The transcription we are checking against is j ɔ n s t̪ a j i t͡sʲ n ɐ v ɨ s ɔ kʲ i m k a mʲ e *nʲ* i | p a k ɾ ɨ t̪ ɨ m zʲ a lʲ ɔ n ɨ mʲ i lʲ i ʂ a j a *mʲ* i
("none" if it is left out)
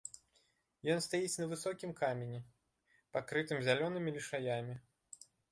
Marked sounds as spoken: nʲ, mʲ

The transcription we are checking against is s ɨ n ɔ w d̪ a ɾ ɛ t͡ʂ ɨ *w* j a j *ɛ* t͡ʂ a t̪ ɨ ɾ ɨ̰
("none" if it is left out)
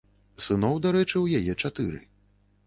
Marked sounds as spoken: w, ɛ

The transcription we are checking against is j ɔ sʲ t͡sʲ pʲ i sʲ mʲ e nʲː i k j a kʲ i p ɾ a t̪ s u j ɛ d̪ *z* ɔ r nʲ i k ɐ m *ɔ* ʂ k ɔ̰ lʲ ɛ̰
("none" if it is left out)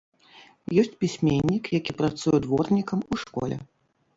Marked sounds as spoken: v, u

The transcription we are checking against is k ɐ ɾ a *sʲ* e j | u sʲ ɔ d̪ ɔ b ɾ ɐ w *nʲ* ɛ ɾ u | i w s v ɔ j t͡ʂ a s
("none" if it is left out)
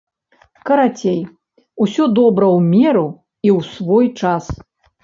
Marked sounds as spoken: t͡sʲ, mʲ

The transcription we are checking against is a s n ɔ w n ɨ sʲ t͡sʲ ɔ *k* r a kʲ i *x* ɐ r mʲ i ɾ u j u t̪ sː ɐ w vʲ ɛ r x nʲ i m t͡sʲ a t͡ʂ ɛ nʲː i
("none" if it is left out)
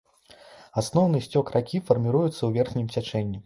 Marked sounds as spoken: k, f

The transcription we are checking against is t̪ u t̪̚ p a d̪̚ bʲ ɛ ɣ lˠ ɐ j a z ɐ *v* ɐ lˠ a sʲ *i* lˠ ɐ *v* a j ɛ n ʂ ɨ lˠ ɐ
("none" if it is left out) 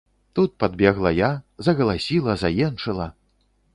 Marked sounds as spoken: ɣ, i, z

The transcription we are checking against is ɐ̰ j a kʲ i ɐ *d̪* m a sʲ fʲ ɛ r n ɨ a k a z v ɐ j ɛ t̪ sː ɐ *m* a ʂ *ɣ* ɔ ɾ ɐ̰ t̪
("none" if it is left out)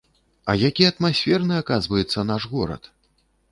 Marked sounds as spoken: t̪, n, ɣ

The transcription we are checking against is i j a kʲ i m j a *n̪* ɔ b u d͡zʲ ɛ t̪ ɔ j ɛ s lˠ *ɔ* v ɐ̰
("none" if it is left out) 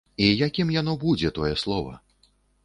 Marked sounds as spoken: n̪, ɔ

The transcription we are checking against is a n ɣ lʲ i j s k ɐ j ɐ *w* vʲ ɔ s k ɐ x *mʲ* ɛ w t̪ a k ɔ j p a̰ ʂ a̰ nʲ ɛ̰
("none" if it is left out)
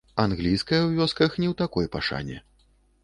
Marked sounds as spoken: w, nʲ

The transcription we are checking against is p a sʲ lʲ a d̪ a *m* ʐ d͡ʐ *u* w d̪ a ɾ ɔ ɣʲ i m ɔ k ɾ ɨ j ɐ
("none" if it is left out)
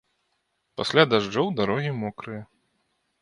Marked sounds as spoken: none, ɔ

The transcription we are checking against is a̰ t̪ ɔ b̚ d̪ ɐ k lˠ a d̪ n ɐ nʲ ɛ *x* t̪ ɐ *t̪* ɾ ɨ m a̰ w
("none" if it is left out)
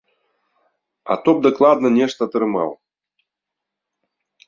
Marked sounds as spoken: ʂ, t̪

